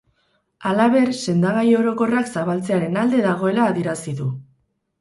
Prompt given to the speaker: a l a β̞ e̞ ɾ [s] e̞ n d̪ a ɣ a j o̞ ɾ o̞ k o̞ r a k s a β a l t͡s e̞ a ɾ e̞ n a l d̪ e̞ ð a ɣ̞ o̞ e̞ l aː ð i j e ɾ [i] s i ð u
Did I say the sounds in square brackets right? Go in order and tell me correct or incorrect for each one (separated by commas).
correct, incorrect